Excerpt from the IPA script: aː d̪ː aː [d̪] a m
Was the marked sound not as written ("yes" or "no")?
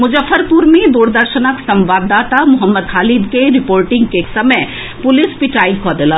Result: yes